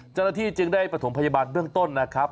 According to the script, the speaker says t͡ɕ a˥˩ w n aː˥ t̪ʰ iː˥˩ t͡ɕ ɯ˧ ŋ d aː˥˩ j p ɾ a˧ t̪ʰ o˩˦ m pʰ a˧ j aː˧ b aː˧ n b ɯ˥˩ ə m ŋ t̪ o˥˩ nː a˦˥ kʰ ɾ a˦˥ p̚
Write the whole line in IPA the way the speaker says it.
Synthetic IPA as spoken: t͡ɕ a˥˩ w n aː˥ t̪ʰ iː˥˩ t͡ɕ ɯ˧ ŋ d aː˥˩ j p ɾ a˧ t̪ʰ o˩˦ m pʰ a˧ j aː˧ b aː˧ n b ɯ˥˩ ə ŋ t̪ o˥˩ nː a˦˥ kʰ ɾ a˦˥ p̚